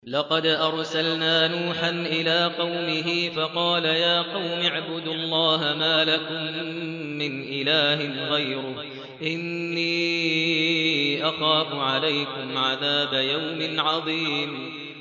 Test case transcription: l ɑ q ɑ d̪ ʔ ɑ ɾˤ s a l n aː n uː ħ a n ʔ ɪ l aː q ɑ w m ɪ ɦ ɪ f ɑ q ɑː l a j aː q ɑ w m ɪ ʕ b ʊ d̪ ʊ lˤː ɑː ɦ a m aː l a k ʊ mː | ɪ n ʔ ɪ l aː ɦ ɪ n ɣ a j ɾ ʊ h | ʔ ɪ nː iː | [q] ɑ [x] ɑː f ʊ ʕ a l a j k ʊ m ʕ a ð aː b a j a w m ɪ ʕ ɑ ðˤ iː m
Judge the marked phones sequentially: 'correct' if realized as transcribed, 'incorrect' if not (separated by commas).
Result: incorrect, correct